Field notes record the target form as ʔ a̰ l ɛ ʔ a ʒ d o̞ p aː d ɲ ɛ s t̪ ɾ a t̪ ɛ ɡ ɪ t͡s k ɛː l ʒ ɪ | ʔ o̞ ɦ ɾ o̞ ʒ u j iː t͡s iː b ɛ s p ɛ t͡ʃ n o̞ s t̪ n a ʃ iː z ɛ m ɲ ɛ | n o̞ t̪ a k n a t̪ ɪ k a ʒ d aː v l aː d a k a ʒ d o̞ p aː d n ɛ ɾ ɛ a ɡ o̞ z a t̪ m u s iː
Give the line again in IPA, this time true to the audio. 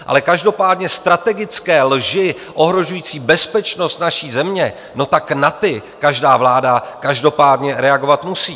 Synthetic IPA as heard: ʔ a̰ l ɛ k a ʒ d o̞ p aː d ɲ ɛ s t̪ ɾ a t̪ ɛ ɡ ɪ t͡s k ɛː l ʒ ɪ | ʔ o̞ ɦ ɾ o̞ ʒ u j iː t͡s iː b ɛ s p ɛ t͡ʃ n o̞ s t̪ n a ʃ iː z ɛ m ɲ ɛ | n o̞ t̪ a k n a t̪ ɪ k a ʒ d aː v l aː d a k a ʒ d o̞ p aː d ɲ ɛ ɾ ɛ a ɡ o̞ v a t̪ m u s iː